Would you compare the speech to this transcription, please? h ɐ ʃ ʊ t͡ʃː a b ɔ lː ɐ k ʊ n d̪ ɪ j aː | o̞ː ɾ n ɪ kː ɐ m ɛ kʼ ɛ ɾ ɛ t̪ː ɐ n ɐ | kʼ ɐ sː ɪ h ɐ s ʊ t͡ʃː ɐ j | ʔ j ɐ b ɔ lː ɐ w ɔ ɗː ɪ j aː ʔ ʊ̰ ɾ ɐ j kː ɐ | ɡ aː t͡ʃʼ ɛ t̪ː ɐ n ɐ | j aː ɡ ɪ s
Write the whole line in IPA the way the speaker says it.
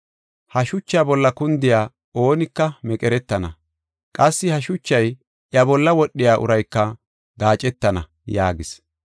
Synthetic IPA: h ɐ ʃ ʊ t͡ʃː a b ɔ lː ɐ k ʊ n d̪ ɪ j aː | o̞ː n ɪ kː ɐ m ɛ kʼ ɛ ɾ ɛ t̪ː ɐ n ɐ | kʼ ɐ sː ɪ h ɐ ʃ ʊ t͡ʃː ɐ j | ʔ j ɐ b ɔ lː ɐ w ɔ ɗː ɪ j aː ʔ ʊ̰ ɾ ɐ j kː ɐ | ɡ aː t͡ʃʼ ɛ t̪ː ɐ n ɐ | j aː ɡ ɪ s

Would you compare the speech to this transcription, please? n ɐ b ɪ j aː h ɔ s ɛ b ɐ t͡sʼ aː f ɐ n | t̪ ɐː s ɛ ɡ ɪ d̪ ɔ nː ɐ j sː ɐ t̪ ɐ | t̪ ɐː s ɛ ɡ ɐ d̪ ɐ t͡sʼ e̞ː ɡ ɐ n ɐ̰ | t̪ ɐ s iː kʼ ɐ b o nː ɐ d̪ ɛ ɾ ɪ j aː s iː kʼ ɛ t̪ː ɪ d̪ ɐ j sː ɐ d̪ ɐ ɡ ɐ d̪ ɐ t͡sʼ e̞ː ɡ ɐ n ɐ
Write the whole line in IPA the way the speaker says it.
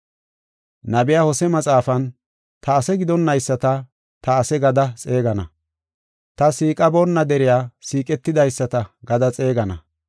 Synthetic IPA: n ɐ b ɪ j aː h ɔ s ɛ m ɐ t͡sʼ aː f ɐ n | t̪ ɐː s ɛ ɡ ɪ d̪ ɔ nː ɐ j sː ɐ t̪ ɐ | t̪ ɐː s ɛ ɡ ɐ d̪ ɐ t͡sʼ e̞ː ɡ ɐ n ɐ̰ | t̪ ɐ s iː kʼ ɐ b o nː ɐ d̪ ɛ ɾ ɪ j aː s iː kʼ ɛ t̪ː ɪ d̪ ɐ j sː ɐ t̪ ɐ ɡ ɐ d̪ ɐ t͡sʼ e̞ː ɡ ɐ n ɐ

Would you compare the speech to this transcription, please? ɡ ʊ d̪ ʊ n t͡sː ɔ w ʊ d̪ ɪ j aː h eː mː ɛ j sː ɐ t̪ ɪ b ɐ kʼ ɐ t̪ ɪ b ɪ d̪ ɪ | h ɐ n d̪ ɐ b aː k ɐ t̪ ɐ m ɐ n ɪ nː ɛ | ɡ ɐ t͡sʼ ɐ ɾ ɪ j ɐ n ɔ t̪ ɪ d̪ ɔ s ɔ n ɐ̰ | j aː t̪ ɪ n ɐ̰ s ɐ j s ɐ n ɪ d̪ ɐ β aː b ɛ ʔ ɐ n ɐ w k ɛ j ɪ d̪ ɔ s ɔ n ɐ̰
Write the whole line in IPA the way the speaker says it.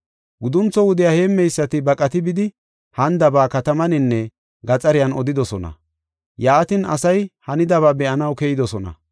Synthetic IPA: ɡ ʊ d̪ ʊ n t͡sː ɔ w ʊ d̪ ɪ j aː h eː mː ɛ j sː ɐ t̪ ɪ b ɐ kʼ ɐ t̪ ɪ b ɪ d̪ ɪ | h ɐ n d̪ ɐ b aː k ɐ t̪ ɐ m ɐ n ɪ nː ɛ | ɡ ɐ t͡sʼ ɐ ɾ ɪ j ɐ n ɔ d̪ ɪ d̪ ɔ s ɔ n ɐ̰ | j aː t̪ ɪ n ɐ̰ s ɐ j h ɐ n ɪ d̪ ɐ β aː b ɛ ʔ ɐ n ɐ w k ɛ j ɪ d̪ ɔ s ɔ n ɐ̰

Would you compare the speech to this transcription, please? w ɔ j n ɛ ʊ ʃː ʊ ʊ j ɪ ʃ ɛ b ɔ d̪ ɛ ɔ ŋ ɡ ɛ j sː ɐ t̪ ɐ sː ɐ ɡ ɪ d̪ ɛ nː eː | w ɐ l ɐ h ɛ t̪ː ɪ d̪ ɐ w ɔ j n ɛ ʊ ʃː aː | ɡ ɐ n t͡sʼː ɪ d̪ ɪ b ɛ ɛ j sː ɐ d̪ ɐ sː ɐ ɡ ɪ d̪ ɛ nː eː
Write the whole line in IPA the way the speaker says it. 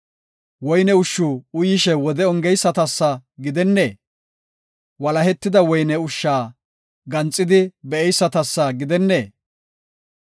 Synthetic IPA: w ɔ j n ɛ ʊ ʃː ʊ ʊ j ɪ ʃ ɛ w ɔ d̪ ɛ ɔ ŋ ɡ ɛ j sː ɐ t̪ ɐ sː ɐ ɡ ɪ d̪ ɛ nː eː | w ɐ l ɐ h ɛ t̪ː ɪ d̪ ɐ w ɔ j n ɛ ʊ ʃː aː | ɡ ɐ n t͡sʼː ɪ d̪ ɪ b ɛ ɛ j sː ɐ t̪ ɐ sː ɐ ɡ ɪ d̪ ɛ nː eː

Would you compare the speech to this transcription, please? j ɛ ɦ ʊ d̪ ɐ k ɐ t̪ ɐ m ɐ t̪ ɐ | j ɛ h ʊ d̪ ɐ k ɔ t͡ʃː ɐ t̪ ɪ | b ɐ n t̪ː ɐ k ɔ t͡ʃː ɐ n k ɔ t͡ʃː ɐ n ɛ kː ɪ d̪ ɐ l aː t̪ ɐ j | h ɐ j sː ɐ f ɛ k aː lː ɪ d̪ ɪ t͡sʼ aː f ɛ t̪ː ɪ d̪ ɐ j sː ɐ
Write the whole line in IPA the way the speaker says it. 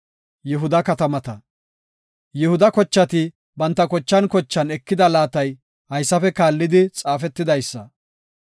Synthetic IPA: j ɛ ɦ ʊ d̪ ɐ k ɐ t̪ ɐ m ɐ t̪ ɐ | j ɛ h ʊ d̪ ɐ k ɔ t͡ʃː ɐ t̪ ɪ | b ɐ n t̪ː ɐ k ɔ t͡ʃː ɐ n k ɔ t͡ʃː ɐ n ɛ kː ɪ d̪ ɐ l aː t̪ ɐ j | h ɐ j sː ɐ f ɛ k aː lː ɪ d̪ ɪ t͡sʼ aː f ɛ t̪ː ɪ d̪ ɐ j sː ɐ

